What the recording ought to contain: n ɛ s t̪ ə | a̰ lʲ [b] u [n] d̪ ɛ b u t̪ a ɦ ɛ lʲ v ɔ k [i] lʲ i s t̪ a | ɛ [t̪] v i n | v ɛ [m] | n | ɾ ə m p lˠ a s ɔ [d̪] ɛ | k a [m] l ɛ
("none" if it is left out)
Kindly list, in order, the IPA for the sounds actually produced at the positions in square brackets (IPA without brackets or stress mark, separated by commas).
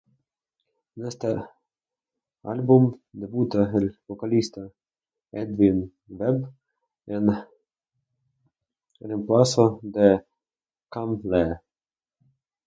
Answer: b, m, a, d̪, b, d̪, m